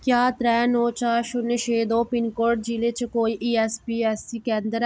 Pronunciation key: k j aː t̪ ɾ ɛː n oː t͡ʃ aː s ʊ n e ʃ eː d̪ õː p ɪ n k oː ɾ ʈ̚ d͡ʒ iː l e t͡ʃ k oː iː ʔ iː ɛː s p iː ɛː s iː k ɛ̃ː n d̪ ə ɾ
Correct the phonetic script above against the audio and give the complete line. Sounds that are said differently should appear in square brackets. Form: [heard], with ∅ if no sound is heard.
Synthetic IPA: k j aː t̪ ɾ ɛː n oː t͡ʃ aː [ʃ] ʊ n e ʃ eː d̪ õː p ɪ n k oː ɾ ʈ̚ d͡ʒ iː l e t͡ʃ k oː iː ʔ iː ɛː s p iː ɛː s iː k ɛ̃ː n d̪ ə ɾ